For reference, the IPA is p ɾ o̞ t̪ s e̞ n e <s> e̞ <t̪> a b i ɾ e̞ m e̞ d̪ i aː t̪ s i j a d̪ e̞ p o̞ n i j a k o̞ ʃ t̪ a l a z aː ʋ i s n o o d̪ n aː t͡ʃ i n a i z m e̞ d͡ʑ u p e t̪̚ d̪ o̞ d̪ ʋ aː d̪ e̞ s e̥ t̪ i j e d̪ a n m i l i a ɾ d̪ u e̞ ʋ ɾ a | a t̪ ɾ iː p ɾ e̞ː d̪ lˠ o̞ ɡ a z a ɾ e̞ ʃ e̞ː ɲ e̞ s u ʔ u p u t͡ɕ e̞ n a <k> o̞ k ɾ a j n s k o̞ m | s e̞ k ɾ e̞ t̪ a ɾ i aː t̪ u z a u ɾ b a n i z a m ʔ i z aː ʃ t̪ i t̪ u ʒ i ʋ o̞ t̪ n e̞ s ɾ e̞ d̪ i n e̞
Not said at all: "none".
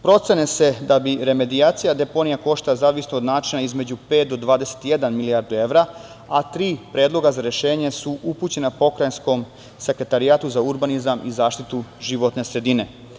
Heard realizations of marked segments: s, d̪, p

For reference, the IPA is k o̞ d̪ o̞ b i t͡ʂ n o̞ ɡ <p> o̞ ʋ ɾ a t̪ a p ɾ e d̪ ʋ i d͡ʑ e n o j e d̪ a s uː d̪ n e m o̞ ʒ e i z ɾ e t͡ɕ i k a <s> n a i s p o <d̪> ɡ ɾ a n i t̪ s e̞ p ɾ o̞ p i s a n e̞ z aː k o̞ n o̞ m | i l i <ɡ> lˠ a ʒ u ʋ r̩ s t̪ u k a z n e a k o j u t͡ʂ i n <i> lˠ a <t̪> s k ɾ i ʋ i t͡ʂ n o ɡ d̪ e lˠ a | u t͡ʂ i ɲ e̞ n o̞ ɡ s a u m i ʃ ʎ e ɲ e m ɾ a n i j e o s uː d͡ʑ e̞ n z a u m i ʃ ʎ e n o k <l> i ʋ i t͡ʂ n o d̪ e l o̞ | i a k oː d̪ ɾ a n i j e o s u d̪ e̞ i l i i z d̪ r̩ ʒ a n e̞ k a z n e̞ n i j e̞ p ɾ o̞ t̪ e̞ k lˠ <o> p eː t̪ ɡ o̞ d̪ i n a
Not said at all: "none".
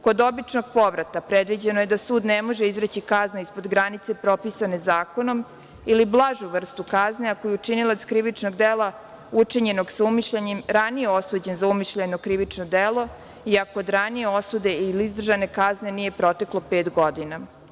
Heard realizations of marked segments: p, z, d̪, b, i, t̪, ɾ, o

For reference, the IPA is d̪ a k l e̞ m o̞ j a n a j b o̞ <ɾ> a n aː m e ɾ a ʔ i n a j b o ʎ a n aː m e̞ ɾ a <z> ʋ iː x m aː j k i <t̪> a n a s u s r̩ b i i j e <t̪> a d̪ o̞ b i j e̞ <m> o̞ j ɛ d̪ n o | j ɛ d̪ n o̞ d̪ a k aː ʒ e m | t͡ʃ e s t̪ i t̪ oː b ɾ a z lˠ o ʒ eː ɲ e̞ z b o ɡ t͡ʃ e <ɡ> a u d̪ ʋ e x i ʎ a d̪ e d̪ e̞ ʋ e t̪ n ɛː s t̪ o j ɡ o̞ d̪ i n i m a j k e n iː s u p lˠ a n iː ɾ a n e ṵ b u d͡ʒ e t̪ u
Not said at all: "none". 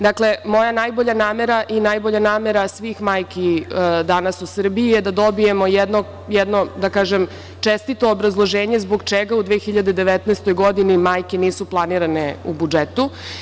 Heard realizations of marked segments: ʎ, s, d̪, d̪, m, ɡ

